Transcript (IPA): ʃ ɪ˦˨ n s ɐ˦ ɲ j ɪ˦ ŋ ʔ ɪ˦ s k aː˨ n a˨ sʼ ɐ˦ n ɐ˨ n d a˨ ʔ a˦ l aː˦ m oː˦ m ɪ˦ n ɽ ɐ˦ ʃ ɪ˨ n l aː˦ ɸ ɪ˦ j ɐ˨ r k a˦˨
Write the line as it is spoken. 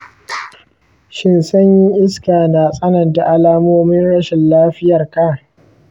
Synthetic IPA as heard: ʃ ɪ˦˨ n s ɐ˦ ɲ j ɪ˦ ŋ ʔ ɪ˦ s k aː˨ n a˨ sʼ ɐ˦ n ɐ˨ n d a˨ ʔ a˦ l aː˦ m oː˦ m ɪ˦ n ɽ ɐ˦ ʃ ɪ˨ n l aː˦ ɸ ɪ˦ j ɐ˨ r k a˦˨